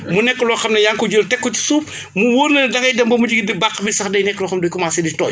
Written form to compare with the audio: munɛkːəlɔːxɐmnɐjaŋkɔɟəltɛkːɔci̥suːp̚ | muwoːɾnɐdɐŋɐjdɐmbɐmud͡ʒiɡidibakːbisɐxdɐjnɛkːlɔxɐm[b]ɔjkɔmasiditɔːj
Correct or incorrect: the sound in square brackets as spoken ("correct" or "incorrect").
incorrect